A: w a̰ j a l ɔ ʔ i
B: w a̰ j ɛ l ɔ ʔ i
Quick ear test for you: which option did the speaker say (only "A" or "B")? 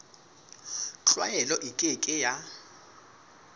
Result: B